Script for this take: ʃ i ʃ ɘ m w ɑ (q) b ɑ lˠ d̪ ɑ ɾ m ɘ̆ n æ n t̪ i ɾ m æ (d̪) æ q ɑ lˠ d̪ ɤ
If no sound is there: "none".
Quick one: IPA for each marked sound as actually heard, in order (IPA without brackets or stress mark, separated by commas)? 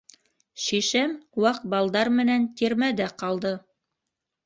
q, d̪